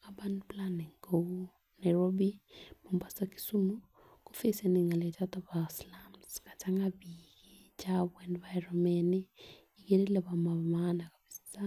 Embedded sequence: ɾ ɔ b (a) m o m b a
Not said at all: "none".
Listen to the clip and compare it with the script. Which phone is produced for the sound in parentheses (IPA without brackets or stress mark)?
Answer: i